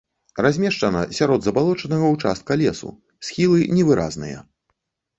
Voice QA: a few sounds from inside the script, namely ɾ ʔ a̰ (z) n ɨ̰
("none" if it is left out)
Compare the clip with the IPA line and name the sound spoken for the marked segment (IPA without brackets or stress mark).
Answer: z